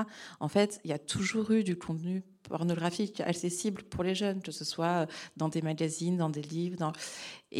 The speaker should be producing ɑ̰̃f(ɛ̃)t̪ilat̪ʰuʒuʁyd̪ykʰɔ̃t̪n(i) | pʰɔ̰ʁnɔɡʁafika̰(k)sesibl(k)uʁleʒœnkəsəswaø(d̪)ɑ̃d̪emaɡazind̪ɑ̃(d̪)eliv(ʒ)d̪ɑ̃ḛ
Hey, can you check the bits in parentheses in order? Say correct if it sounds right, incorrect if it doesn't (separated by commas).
incorrect, incorrect, correct, incorrect, correct, correct, incorrect